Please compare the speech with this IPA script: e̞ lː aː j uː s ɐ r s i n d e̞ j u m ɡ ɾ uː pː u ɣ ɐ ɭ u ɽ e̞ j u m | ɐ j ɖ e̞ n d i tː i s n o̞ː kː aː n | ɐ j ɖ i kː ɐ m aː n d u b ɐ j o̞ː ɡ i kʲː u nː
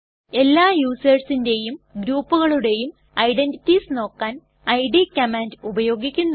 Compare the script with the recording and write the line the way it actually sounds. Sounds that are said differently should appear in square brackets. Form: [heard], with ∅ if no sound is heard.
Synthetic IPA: e̞ lː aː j uː s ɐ r s i n d e̞ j u m ɡ ɾ uː pː u ɣ ɐ ɭ u ɽ e̞ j u m | ɐ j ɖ e̞ n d i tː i s n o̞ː kː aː n | ɐ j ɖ i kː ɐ m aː n d u b ɐ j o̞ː ɡ i kʲː u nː